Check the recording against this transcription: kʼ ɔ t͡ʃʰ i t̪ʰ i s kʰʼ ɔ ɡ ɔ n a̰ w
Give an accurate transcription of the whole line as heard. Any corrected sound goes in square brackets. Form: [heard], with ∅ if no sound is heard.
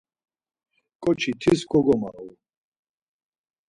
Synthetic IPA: kʼ ɔ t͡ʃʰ i t̪ʰ i s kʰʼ ɔ ɡ ɔ [m] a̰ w